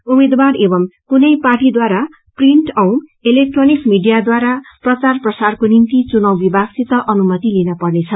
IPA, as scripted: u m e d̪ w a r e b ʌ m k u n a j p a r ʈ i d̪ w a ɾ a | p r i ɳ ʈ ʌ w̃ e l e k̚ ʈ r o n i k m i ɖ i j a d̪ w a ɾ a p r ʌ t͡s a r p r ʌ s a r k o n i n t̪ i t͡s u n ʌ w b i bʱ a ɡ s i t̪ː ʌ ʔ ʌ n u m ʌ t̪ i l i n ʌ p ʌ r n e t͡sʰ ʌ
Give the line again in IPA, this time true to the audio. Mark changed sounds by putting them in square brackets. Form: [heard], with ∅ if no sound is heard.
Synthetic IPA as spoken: u m e d̪ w a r e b ʌ m k u n [ʌ] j p a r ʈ i d̪ w a ɾ a | p r i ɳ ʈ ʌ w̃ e l e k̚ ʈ r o n i k m i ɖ i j a d̪ w a ɾ a p r ʌ t͡s a r p r ʌ s a r k o n i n t̪ i t͡s u n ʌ w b i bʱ a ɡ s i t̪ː ʌ ʔ ʌ n u m ʌ t̪ i l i n ʌ p ʌ r n e t͡sʰ ʌ